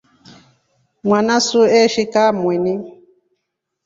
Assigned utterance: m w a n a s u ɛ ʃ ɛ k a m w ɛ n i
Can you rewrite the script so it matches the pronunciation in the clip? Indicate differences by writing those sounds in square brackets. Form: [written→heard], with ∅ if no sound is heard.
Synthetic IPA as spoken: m w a n a s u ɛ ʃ [ɛ→i] k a m w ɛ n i